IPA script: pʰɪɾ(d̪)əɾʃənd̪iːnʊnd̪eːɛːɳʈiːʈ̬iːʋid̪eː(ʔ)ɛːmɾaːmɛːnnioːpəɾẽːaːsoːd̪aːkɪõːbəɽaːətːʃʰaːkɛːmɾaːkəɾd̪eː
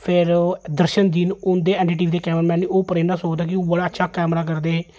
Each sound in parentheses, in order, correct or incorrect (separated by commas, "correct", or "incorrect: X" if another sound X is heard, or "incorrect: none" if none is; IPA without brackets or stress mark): correct, incorrect: k